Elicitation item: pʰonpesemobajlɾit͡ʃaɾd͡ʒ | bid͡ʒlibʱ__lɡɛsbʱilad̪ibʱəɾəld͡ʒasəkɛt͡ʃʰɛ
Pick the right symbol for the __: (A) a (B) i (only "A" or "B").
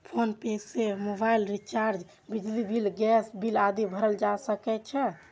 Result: B